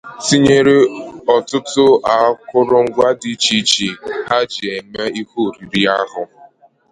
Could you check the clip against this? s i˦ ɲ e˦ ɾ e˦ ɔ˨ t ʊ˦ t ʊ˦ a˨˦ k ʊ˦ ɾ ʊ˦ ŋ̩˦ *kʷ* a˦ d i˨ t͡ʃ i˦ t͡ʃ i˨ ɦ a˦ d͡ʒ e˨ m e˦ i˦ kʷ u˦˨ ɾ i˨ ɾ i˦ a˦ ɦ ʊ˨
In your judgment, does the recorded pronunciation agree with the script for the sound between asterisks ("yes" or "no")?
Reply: no